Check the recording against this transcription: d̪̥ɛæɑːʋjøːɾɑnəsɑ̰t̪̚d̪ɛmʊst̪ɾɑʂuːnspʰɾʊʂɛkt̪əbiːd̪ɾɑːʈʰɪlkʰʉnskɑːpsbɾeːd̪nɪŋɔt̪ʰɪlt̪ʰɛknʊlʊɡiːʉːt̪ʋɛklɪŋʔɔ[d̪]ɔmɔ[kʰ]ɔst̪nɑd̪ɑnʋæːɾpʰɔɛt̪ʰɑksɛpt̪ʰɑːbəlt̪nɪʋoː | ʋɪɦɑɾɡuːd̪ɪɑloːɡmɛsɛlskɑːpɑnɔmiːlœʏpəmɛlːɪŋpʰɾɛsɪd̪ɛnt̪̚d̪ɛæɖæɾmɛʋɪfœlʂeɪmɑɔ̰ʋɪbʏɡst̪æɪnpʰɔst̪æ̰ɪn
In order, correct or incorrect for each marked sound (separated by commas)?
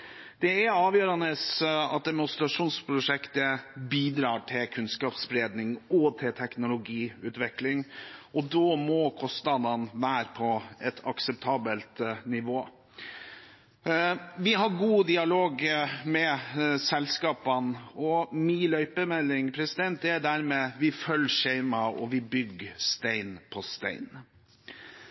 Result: correct, correct